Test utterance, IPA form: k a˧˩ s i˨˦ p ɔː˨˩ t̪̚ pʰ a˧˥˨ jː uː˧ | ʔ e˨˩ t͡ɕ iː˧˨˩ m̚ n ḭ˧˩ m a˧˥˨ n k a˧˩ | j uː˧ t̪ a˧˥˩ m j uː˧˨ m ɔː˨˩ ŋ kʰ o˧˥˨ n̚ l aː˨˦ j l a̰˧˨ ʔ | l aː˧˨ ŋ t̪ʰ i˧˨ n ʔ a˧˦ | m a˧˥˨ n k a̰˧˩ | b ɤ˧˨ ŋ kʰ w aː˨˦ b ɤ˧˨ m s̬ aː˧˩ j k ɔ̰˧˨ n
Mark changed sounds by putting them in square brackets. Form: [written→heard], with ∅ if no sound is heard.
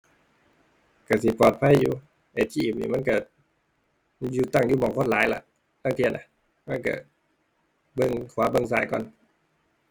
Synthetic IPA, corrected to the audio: k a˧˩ s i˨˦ p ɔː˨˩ t̪̚ pʰ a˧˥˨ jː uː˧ | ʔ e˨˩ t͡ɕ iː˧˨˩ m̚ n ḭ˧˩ m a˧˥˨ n k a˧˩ | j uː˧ t̪ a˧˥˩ [m→ŋ] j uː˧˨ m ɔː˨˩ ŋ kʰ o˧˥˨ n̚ l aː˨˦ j l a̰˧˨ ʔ | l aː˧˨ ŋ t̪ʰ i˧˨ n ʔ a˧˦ | m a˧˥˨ n k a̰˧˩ | b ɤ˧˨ ŋ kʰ w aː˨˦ b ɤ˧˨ [m→ŋ] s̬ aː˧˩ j k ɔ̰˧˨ n